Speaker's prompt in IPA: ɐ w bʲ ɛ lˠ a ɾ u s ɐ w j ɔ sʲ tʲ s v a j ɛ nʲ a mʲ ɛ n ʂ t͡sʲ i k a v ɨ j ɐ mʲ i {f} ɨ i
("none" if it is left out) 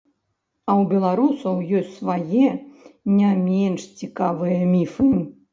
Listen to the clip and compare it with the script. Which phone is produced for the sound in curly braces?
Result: f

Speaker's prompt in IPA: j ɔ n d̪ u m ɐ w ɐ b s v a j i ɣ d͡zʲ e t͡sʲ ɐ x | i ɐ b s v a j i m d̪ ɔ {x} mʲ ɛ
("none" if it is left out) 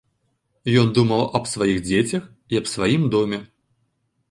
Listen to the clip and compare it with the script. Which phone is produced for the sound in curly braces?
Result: none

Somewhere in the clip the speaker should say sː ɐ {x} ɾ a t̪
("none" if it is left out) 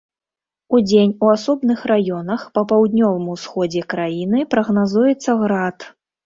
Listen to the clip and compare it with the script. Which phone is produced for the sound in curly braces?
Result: ɣ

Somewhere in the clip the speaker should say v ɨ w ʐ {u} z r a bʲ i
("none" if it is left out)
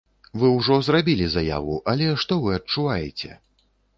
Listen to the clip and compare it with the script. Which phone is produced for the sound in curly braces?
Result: ɔ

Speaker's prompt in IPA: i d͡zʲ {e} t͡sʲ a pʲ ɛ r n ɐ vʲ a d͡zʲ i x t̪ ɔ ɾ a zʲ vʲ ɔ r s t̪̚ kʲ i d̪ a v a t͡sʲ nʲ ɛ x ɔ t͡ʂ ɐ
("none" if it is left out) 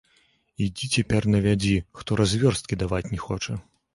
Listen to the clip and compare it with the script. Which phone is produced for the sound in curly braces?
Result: i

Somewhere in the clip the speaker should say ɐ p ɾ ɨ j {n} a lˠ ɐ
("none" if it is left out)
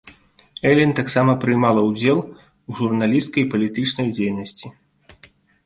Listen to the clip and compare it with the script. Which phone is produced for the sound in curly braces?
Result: m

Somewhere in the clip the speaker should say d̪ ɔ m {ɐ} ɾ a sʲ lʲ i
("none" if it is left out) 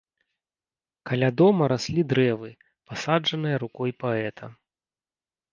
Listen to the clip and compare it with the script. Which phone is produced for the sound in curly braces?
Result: ɐ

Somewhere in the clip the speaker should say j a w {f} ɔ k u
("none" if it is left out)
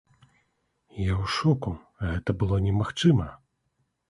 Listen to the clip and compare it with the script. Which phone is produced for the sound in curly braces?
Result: ʂ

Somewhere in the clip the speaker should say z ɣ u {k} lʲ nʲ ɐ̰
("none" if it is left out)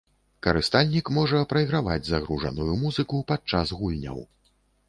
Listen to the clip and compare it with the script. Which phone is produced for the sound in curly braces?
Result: none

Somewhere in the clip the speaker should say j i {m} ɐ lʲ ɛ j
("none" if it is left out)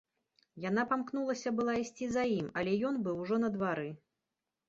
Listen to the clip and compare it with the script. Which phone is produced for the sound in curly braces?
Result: m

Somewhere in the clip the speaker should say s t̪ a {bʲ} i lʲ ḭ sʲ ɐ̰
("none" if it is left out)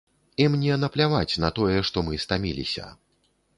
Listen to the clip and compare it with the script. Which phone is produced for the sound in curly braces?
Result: mʲ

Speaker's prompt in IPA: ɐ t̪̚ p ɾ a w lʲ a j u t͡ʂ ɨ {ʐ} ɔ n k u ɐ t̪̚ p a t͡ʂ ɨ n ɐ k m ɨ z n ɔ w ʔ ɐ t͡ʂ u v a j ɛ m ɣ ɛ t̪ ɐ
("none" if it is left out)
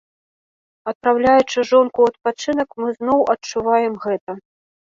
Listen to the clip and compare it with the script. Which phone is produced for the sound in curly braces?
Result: ʐ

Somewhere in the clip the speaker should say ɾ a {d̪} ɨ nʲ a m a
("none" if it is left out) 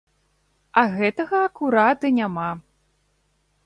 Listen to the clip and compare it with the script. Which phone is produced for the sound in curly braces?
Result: t̪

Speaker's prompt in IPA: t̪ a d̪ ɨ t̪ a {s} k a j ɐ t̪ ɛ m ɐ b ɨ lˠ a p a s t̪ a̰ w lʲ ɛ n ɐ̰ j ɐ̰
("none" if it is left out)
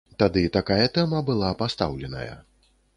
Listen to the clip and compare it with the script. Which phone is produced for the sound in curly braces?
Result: none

